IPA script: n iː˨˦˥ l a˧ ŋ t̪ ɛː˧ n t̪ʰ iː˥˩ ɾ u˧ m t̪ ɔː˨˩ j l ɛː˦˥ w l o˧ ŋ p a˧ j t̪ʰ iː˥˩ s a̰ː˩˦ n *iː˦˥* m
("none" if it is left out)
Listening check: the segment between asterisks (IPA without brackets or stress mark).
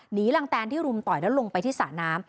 aː˦˥